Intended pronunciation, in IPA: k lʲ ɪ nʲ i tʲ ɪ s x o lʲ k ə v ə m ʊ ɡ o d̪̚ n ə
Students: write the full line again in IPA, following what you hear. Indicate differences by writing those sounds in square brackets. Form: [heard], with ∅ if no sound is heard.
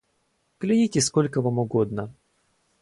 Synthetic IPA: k lʲ ɪ nʲ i tʲ ɪ s [k] o lʲ k ə v [a] m ʊ ɡ o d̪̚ n ə